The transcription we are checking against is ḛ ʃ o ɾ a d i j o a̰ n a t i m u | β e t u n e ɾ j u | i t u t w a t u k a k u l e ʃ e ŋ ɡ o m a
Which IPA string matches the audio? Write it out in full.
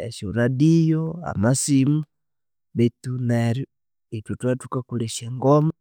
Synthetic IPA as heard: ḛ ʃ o ɾ a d i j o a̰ m a s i m u | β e t u n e ɾ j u | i t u t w a t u k a k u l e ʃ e ŋ ɡ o m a